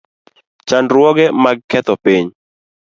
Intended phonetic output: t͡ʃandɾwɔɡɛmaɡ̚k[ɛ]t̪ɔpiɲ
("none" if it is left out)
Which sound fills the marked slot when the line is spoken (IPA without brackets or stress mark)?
ɛ